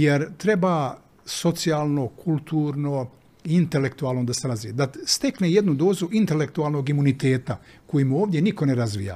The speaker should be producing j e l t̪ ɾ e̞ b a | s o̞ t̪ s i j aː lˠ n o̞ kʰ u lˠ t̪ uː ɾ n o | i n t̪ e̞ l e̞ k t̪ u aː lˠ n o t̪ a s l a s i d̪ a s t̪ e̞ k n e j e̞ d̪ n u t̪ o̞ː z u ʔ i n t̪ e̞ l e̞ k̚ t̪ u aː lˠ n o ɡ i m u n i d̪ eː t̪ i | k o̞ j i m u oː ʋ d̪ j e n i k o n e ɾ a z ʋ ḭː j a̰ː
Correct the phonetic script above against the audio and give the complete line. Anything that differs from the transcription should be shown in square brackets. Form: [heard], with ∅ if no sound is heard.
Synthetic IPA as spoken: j e [ɾ] t̪ ɾ e̞ b a | s o̞ t̪ s i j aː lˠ n o̞ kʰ u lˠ t̪ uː ɾ n o | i n t̪ e̞ l e̞ k t̪ u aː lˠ n o [d̪] a s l a [z] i d̪ a s t̪ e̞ k n e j e̞ d̪ n u [d̪] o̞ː z u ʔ i n t̪ e̞ l e̞ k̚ t̪ u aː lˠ n o ɡ i m u n i [t̪] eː t̪ [a] | k o̞ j i m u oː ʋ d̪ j e n i k o n e ɾ a z ʋ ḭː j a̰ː